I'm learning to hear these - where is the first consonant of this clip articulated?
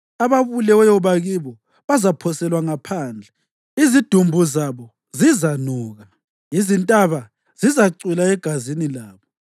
lips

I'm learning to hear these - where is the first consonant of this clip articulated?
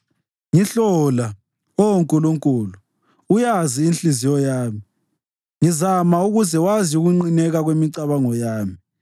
velum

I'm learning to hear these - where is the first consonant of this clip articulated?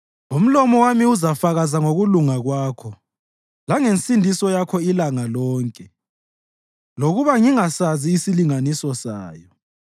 lips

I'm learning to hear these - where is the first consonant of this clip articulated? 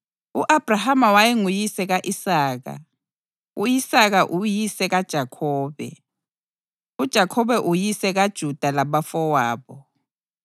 throat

